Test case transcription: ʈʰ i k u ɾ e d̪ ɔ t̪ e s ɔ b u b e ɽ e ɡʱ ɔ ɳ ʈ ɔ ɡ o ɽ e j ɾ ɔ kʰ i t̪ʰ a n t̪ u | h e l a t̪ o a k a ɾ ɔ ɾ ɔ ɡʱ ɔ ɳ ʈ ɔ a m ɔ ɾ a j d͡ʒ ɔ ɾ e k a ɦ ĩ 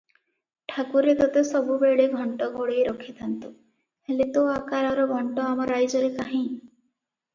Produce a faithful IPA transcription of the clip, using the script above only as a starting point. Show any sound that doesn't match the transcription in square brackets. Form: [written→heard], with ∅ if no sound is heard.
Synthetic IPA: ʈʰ [i→a] k u ɾ e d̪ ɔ t̪ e s ɔ b u b e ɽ e ɡʱ ɔ ɳ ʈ ɔ ɡ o ɽ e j ɾ ɔ kʰ i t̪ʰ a n t̪ u | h e l [a→e] t̪ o a k a ɾ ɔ ɾ ɔ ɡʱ ɔ ɳ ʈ ɔ a m ɔ ɾ a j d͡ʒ ɔ ɾ e k a ɦ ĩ